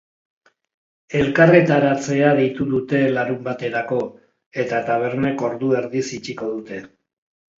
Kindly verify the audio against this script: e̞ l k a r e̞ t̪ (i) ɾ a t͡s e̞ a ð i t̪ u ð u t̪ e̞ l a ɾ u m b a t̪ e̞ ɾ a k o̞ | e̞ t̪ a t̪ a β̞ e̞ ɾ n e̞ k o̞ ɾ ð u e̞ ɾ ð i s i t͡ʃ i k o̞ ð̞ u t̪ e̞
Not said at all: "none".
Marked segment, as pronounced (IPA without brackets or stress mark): a